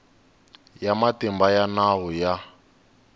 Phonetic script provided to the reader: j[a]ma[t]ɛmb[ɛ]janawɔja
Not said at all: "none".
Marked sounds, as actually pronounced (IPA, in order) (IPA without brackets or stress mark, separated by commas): a, t, a